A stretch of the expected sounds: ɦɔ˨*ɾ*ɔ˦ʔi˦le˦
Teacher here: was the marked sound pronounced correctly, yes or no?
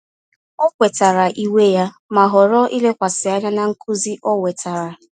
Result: yes